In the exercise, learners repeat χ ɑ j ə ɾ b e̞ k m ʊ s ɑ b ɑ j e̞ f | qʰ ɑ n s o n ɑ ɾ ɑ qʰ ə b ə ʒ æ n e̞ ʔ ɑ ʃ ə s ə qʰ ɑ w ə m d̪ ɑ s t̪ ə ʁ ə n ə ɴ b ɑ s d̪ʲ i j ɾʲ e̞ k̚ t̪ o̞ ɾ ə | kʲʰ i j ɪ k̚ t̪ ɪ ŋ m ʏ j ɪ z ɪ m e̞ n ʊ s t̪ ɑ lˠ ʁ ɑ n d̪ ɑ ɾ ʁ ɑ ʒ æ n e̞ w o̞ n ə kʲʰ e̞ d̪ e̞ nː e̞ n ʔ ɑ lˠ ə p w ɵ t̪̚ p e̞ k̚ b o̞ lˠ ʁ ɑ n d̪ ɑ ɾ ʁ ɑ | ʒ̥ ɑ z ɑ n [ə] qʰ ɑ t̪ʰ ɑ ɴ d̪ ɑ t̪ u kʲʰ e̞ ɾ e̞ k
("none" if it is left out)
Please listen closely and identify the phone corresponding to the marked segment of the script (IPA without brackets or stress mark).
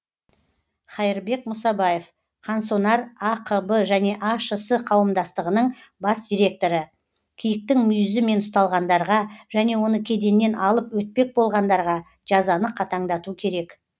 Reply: ə